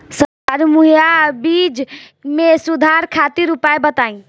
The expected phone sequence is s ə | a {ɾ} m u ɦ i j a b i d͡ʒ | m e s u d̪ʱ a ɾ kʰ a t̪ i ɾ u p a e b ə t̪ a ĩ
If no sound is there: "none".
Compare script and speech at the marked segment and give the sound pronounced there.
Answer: ɾ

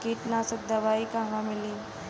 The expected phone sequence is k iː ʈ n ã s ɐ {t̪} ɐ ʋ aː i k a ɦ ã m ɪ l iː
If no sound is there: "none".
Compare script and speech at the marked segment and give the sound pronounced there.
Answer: d̪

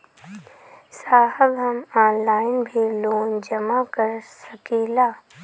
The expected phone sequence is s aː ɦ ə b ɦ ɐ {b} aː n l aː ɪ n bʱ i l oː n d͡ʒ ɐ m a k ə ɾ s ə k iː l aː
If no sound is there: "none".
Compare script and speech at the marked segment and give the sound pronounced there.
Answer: m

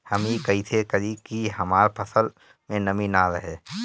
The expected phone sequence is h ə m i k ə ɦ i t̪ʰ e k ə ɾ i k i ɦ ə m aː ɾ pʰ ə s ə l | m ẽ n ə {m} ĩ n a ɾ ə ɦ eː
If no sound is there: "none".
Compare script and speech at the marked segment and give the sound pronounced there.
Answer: m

